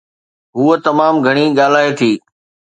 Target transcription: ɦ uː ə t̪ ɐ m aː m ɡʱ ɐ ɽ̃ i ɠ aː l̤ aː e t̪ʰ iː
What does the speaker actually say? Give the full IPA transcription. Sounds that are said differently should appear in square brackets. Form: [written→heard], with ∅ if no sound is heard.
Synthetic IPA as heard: ɦ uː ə t̪ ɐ m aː m ɡʱ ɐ ɽ̃ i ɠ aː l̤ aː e t̪ʰ iː